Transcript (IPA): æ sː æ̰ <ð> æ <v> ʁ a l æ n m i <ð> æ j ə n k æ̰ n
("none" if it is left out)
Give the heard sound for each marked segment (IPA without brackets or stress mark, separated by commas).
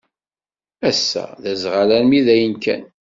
ð, z, ð